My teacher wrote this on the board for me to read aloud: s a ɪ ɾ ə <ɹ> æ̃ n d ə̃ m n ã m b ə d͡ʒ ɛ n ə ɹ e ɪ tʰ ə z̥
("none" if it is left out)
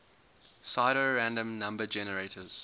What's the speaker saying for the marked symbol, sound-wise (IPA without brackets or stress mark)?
ɹ